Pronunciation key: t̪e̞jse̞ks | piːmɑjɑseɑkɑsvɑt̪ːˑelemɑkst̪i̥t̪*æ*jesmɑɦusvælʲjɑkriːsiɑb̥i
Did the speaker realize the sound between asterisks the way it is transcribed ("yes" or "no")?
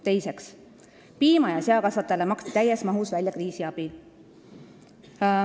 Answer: yes